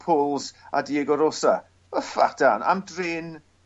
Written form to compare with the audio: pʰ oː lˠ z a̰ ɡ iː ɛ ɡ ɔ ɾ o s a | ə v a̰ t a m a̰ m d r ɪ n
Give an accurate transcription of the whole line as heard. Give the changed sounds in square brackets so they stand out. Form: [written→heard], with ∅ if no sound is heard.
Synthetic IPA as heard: pʰ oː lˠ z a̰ [ɡ→d] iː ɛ ɡ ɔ ɾ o s a | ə [v→f] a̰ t a [m→n] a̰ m d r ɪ n

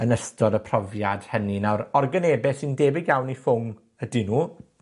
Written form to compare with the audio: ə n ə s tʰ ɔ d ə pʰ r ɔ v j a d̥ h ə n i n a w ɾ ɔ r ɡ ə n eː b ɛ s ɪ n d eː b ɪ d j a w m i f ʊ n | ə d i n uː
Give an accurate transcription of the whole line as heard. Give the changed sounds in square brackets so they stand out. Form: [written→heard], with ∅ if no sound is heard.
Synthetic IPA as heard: ə n ə s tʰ ɔ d ə pʰ r ɔ v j a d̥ h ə n i n a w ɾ ɔ r ɡ ə n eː b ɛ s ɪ n d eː b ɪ [d→ɡ] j a w [m→n] i f ʊ [n→ŋ] | ə d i n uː

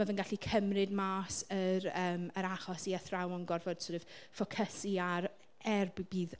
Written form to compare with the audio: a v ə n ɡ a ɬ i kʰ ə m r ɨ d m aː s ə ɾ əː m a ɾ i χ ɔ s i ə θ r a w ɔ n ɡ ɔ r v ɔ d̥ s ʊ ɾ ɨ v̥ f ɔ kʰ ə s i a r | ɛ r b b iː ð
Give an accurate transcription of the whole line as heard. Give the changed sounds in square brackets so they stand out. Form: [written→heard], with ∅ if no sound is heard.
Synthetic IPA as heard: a v ə n ɡ a ɬ i kʰ ə m r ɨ d m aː s ə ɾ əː m [a→ə] ɾ [i→a] χ ɔ s i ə θ r a w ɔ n ɡ ɔ r v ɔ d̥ s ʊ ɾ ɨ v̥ f ɔ kʰ ə s i a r | ɛ r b b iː ð

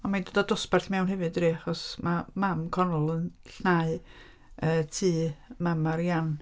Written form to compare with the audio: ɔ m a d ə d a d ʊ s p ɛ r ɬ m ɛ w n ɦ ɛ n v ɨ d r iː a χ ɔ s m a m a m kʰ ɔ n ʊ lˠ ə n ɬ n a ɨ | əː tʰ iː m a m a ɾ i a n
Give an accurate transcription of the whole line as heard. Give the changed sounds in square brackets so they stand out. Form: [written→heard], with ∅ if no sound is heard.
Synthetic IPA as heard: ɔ m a d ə d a d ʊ s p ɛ r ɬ m ɛ w n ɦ ɛ [n→∅] v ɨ d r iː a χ ɔ s m a m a m kʰ ɔ n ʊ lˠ ə n ɬ n a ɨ | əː tʰ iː m a m a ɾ [i→j] a n

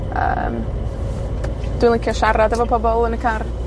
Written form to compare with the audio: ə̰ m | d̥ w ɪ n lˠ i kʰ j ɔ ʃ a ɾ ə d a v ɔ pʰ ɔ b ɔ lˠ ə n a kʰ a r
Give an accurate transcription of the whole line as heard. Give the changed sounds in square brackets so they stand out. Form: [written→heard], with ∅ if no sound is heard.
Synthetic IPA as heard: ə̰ m | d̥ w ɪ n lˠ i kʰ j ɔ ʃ a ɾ [ə→a] d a v ɔ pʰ ɔ b ɔ lˠ ə n [a→ə] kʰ a r

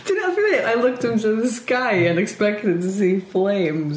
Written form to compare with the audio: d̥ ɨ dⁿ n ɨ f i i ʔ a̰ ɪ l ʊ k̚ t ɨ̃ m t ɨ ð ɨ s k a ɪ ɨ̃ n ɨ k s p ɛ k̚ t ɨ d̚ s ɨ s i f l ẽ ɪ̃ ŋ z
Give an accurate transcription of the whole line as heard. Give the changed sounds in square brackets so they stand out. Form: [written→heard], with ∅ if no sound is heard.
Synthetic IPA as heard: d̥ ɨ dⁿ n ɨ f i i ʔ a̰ ɪ l ʊ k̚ t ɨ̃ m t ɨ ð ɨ s k a ɪ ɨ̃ n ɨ k s p ɛ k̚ t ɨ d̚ [s→t] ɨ s i f l ẽ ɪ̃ [ŋ→m] z

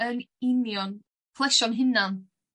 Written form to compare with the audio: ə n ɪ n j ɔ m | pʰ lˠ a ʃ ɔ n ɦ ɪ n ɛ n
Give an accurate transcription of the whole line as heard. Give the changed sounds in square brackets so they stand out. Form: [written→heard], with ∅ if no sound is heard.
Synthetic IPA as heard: ə n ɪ n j ɔ [m→n] | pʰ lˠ [a→ɛ] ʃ ɔ n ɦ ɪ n [ɛ→a] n

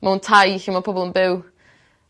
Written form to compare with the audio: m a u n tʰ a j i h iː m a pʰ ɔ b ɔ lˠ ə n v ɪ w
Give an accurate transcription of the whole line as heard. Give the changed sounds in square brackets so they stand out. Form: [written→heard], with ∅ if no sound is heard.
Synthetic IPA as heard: m a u n tʰ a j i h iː m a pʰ ɔ b ɔ lˠ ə n [v→b] ɪ w

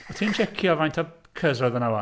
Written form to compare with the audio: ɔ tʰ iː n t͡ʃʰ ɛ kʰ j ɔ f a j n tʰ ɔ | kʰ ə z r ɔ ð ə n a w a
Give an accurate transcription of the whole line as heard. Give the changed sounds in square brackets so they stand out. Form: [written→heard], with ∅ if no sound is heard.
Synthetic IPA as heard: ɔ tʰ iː n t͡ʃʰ ɛ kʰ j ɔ [f→v] a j n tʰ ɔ | kʰ ə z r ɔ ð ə n a w a

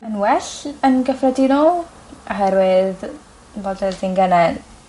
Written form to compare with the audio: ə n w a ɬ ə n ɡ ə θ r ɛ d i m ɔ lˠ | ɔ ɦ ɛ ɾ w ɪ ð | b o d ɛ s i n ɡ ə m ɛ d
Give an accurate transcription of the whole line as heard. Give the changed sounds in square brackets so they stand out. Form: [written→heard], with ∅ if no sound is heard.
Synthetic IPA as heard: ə n w [a→ɛ] ɬ ə n ɡ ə [θ→f] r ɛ d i [m→n] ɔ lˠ | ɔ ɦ ɛ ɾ w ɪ ð | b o d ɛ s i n ɡ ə [m→n] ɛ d

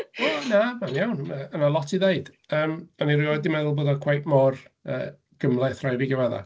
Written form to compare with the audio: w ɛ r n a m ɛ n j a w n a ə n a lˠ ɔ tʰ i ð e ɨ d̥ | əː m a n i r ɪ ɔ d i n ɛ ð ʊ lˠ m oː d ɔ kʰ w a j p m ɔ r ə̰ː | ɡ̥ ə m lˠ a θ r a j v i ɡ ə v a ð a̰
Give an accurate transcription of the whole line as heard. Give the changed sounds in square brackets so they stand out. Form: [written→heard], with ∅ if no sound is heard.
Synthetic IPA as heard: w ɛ [r→∅] n a m [ɛ→a] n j a w n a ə n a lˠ ɔ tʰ i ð e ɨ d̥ | əː m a n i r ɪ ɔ d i [n→m] ɛ ð ʊ lˠ [m→b] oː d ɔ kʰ w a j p m ɔ r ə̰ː | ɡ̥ ə m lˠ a θ r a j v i ɡ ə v a ð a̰

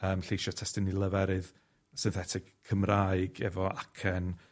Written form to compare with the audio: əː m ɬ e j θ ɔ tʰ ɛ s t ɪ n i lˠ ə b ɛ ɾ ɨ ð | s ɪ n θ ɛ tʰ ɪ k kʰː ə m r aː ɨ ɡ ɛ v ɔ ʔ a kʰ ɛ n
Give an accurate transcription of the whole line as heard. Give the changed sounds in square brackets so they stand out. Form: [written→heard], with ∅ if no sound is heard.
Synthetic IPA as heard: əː m ɬ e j [θ→ʃ] ɔ tʰ ɛ s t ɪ n i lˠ ə [b→v] ɛ ɾ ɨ ð | s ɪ n θ ɛ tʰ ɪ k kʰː ə m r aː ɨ ɡ ɛ v ɔ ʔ a kʰ ɛ n

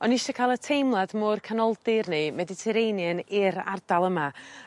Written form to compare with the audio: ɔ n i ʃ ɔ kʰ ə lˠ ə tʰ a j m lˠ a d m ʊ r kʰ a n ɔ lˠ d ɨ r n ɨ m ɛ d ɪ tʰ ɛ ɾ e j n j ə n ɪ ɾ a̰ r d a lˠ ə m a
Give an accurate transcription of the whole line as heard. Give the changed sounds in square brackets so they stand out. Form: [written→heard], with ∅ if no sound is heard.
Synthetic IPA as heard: ɔ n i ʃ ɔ kʰ [ə→a] lˠ ə tʰ [a→e] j m lˠ a d m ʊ r kʰ a n ɔ lˠ d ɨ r n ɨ m ɛ d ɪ tʰ ɛ ɾ e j n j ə n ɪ ɾ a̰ r d a lˠ ə m a

